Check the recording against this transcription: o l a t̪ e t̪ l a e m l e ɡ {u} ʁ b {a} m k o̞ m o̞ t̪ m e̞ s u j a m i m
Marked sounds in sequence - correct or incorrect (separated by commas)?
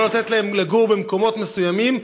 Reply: correct, incorrect